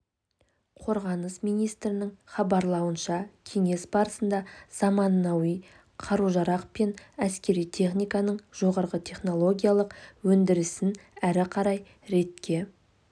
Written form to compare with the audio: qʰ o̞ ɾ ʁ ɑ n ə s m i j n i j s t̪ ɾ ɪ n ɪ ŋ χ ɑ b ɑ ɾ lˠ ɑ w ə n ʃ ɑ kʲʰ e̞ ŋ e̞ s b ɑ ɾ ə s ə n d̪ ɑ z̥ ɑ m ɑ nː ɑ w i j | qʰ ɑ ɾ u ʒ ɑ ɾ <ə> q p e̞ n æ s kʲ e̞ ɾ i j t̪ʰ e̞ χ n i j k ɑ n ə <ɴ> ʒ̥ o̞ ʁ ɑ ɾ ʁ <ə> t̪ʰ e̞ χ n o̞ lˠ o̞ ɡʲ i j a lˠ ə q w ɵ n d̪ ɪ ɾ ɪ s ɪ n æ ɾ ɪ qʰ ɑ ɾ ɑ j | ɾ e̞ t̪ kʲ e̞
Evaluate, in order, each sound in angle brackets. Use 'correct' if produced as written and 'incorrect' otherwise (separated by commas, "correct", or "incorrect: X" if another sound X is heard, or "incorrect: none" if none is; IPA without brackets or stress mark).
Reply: incorrect: ɑ, correct, correct